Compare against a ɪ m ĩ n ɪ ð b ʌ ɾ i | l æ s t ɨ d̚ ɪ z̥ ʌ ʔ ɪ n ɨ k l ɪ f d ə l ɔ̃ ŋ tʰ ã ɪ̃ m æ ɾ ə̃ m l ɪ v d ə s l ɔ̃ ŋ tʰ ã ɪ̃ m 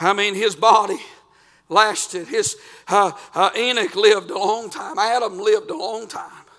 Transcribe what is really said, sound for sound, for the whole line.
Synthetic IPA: a ɪ m ĩ n ɪ z b ɑ ɾ i | l æ s t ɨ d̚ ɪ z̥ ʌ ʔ ɪ n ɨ k l ɪ v d ə l ɔ̃ ŋ tʰ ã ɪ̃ m æ ɾ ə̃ m l ɪ v d ə l ɔ̃ ŋ tʰ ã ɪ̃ m